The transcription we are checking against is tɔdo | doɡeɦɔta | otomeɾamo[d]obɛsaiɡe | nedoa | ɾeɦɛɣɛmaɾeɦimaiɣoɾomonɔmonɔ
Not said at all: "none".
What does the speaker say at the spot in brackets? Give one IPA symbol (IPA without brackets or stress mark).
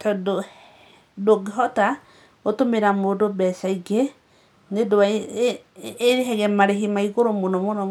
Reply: d